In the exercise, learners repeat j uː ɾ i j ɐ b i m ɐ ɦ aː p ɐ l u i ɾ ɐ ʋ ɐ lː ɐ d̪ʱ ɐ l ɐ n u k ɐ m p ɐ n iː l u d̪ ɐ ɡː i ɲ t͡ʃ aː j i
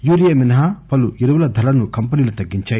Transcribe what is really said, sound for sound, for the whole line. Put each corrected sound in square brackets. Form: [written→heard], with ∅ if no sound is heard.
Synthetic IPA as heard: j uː ɾ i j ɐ [b→m] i [m→n] ɐ ɦ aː p ɐ l u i ɾ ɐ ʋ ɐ [lː→l] ɐ d̪ʱ ɐ l ɐ n u k ɐ m p ɐ n iː l u [d̪→t̪] ɐ ɡː i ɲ t͡ʃ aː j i

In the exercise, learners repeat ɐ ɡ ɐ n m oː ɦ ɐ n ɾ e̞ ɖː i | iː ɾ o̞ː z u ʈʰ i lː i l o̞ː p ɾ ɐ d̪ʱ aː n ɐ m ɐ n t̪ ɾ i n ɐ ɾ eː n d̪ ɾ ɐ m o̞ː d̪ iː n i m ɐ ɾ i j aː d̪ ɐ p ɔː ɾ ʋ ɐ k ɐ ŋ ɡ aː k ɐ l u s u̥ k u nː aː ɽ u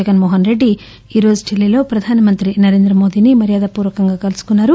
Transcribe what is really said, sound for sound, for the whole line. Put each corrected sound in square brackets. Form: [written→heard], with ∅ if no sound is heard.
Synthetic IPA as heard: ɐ ɡ ɐ n m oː ɦ ɐ n ɾ e̞ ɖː i | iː ɾ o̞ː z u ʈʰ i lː i l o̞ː p ɾ ɐ d̪ʱ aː n ɐ m ɐ n t̪ ɾ i n ɐ ɾ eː n d̪ ɾ ɐ m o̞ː d̪ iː n i m ɐ ɾ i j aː d̪ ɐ p [ɔː→uː] ɾ ʋ ɐ k ɐ ŋ ɡ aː k ɐ l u s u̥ k u nː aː [ɽ→ɾ] u

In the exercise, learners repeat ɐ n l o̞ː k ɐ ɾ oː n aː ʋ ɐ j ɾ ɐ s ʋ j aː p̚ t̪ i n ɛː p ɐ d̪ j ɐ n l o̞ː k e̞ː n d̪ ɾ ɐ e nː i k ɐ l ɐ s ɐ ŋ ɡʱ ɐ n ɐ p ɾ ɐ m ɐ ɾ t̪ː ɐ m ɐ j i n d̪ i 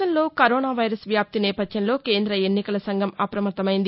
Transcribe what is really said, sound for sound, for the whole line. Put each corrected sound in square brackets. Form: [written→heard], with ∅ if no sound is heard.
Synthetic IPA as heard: ɐ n l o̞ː k ɐ ɾ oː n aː ʋ ɐ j ɾ ɐ s ʋ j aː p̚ t̪ i n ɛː p ɐ d̪ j ɐ n l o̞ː k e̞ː n d̪ ɾ ɐ e nː i k ɐ l ɐ s ɐ ŋ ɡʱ ɐ [n→m] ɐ p ɾ ɐ m ɐ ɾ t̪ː ɐ m ɐ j i n d̪ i

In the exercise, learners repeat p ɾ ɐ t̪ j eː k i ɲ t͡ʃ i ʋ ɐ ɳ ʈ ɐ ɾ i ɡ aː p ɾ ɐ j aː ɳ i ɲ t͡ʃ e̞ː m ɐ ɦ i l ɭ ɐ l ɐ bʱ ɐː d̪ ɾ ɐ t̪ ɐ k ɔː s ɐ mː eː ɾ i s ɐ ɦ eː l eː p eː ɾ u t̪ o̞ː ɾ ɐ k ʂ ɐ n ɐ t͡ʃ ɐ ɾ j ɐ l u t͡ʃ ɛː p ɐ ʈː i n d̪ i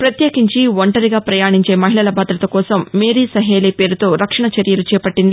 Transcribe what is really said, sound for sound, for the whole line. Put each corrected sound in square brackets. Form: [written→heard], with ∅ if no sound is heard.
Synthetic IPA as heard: p ɾ ɐ t̪ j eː k i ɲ t͡ʃ i ʋ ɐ ɳ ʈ ɐ ɾ i ɡ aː p ɾ ɐ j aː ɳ i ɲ t͡ʃ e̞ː m ɐ ɦ i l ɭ ɐ l ɐ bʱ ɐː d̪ ɾ ɐ t̪ ɐ k ɔː s ɐ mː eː ɾ i s ɐ ɦ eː l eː p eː ɾ u t̪ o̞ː ɾ ɐ k ʂ ɐ [n→ɳ] ɐ t͡ʃ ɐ ɾ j ɐ l u t͡ʃ ɛː p ɐ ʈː i n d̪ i

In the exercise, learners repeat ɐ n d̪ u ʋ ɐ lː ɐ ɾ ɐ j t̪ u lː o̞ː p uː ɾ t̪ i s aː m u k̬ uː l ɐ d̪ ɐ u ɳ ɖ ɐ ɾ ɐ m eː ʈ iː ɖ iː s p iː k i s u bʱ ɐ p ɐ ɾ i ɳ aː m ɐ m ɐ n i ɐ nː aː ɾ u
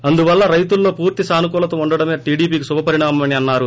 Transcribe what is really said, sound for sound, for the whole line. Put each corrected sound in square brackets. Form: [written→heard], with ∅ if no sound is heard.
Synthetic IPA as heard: ɐ n d̪ u ʋ ɐ lː ɐ ɾ ɐ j t̪ u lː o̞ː p uː ɾ t̪ i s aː [m→n] u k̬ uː l ɐ [d̪→t̪] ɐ u ɳ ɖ ɐ [ɾ→ɽ] ɐ m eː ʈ iː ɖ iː [s→∅] p iː k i s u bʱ ɐ p ɐ ɾ i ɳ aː m ɐ m ɐ n i ɐ nː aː ɾ u

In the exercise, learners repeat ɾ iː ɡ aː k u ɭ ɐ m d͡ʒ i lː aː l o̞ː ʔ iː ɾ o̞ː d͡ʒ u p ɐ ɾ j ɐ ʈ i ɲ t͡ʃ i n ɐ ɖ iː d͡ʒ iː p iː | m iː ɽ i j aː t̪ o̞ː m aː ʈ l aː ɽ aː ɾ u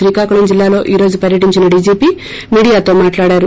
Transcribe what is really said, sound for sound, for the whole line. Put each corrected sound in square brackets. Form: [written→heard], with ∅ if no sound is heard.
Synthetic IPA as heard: ɾ iː [ɡ→k] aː k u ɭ ɐ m d͡ʒ i lː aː l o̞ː ʔ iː ɾ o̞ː d͡ʒ u p ɐ ɾ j ɐ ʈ i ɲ t͡ʃ i n ɐ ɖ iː d͡ʒ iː p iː | m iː ɽ i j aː t̪ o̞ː m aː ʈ l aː ɽ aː ɾ u

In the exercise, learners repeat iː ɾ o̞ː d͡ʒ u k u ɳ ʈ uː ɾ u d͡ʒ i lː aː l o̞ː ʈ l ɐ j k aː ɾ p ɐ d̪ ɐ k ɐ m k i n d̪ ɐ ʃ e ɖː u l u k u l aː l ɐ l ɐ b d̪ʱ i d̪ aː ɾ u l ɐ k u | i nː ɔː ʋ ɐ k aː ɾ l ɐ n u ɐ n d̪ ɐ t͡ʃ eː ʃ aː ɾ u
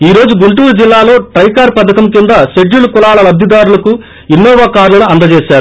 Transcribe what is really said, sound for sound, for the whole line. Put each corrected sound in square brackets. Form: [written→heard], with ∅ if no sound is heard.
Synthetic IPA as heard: iː ɾ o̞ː d͡ʒ u [k→ɡ] u ɳ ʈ uː ɾ u d͡ʒ i lː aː l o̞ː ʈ [l→ɾ] ɐ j k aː ɾ p ɐ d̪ ɐ k ɐ m k i n d̪ ɐ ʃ e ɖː u l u k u l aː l ɐ l ɐ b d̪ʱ i d̪ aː ɾ u l ɐ k u | i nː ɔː ʋ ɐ k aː ɾ l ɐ n u ɐ n d̪ ɐ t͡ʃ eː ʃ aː ɾ u

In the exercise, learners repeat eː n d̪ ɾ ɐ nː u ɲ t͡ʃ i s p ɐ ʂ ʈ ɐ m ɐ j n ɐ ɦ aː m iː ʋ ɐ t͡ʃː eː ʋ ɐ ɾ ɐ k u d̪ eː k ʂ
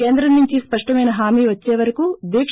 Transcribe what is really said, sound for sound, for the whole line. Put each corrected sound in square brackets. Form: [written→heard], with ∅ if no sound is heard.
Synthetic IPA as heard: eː n d̪ ɾ ɐ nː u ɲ t͡ʃ i s p ɐ ʂ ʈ ɐ m ɐ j n ɐ ɦ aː m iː ʋ ɐ t͡ʃː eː ʋ ɐ ɾ ɐ k u d̪ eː k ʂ

